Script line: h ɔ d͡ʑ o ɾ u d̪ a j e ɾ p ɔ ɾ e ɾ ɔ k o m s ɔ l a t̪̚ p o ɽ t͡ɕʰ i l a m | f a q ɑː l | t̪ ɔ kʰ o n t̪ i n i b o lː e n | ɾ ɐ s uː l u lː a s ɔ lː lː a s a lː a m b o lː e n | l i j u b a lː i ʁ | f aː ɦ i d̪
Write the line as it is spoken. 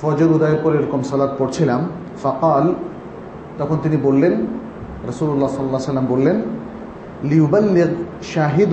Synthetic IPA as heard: f ɔ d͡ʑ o ɾ u d̪ a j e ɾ p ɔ ɾ e ɾ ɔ k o m s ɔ l a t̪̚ p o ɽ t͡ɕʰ i l a m | f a q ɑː l | t̪ ɔ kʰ o n t̪ i n i b o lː e n | ɾ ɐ s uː l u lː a s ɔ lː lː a s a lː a m b o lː e n | l i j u b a lː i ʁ | ʃ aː ɦ i d̪